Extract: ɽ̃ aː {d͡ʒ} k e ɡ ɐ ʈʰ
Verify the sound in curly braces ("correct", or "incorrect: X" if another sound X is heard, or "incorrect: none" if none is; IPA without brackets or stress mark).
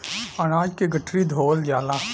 correct